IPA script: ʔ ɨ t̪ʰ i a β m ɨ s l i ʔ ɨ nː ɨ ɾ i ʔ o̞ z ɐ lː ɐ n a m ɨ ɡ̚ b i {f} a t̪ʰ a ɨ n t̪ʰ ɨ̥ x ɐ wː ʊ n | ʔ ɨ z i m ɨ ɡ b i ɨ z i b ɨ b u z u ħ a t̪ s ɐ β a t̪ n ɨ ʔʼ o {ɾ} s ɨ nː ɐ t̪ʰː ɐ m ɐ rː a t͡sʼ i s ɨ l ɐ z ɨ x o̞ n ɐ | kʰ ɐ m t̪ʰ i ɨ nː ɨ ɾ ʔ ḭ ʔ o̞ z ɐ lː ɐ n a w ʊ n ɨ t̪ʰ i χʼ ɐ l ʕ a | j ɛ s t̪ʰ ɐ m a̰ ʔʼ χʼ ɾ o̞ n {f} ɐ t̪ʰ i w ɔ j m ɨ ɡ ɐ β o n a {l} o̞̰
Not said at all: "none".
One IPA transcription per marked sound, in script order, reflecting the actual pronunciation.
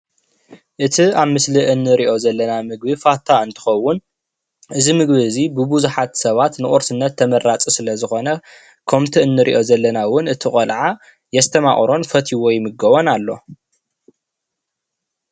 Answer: f, ɾ, f, lː

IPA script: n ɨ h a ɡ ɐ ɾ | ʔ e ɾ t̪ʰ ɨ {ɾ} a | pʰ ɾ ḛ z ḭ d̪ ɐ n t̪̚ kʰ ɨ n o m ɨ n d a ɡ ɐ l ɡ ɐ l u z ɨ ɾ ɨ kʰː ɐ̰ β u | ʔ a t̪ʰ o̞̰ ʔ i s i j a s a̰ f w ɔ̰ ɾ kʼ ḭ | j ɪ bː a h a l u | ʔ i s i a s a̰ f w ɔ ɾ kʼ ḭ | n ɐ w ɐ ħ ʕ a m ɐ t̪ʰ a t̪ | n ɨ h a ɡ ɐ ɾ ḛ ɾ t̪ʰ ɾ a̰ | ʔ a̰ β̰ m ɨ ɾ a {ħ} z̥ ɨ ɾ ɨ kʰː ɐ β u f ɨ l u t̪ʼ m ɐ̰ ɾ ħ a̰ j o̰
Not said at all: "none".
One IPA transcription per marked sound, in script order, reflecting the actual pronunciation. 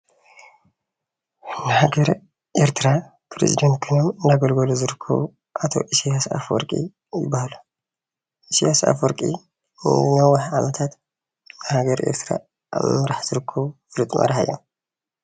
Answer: ɾ, ħ

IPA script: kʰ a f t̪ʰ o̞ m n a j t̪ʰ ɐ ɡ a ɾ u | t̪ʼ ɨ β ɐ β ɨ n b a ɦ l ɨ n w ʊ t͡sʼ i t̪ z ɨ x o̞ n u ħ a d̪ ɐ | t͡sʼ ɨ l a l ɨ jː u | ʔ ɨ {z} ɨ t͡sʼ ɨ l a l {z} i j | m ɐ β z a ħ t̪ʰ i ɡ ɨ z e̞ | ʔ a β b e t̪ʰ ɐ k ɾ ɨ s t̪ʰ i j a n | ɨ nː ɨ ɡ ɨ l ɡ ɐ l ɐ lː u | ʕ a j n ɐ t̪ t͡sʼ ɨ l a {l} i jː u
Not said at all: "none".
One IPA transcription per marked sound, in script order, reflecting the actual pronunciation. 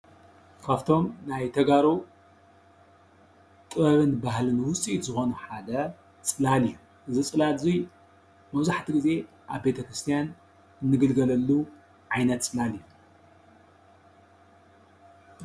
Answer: z, z, l

